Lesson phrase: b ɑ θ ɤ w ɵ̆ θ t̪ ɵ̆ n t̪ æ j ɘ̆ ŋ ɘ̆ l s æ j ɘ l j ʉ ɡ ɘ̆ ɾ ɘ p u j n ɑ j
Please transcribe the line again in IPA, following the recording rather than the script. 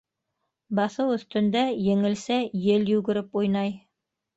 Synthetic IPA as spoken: b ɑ θ ɤ w ɵ̆ θ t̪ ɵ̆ n d̪ æ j ɘ̆ ŋ ɘ̆ l s æ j ɘ l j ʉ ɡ ɘ̆ ɾ ɘ p u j n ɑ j